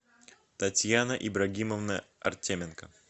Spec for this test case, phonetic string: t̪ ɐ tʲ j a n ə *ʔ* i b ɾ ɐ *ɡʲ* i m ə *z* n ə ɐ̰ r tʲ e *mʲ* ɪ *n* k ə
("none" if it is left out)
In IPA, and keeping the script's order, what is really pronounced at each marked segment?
ʔ, ɡʲ, v, mʲ, n

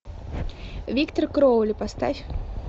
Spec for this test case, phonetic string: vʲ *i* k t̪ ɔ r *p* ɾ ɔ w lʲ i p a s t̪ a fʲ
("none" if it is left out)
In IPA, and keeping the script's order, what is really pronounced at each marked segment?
i, k

